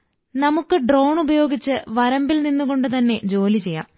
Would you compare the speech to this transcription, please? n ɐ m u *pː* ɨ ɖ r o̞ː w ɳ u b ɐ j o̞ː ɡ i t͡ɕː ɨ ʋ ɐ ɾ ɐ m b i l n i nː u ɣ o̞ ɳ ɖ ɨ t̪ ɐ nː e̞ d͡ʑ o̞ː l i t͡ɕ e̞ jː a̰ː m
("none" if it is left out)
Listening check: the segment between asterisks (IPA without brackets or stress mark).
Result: kː